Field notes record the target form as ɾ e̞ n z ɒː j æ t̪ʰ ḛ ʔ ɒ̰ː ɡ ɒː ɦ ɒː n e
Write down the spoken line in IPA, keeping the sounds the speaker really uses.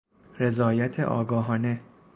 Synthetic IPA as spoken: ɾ e̞ z ɒː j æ t̪ʰ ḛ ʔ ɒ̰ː ɡ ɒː ɦ ɒː n e